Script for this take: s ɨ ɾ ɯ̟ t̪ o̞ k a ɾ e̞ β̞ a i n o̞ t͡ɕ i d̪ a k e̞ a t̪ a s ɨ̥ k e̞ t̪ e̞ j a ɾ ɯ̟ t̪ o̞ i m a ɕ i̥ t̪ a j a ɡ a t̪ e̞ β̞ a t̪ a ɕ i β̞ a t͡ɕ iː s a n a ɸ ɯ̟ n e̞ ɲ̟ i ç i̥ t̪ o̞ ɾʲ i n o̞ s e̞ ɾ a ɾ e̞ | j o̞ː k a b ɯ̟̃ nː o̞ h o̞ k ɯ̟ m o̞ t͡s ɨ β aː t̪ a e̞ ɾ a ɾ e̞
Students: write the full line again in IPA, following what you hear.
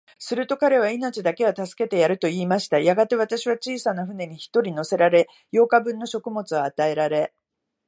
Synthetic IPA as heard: s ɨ ɾ ɯ̟ t̪ o̞ k a ɾ e̞ β̞ a i n o̞ t͡ɕ i d̪ a k e̞ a t̪ a s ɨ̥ k e̞ t̪ e̞ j a ɾ ɯ̟ t̪ o̞ iː m a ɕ i̥ t̪ a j a ɡ a t̪ e̞ β̞ a t̪ a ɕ i β̞ a t͡ɕ iː s a n a ɸ ɯ̟ n e̞ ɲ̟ i ç i̥ t̪ o̞ ɾʲ i n o̞ s e̞ ɾ a ɾ e̞ | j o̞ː k a b ɯ̟̃ nː o̞ ɕ o̞ k ɯ̟ m o̞ t͡s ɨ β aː t̪ a e̞ ɾ a ɾ e̞